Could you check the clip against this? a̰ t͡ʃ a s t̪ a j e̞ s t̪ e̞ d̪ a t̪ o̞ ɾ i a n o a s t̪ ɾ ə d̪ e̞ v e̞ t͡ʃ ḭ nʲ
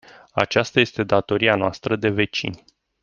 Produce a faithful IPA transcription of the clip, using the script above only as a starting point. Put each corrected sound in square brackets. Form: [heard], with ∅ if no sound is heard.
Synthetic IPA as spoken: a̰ t͡ʃ a s t̪ a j e̞ s t̪ e̞ d̪ a t̪ o̞ ɾ i a n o a s t̪ ɾ ə d̪ e̞ v e̞ t͡ʃ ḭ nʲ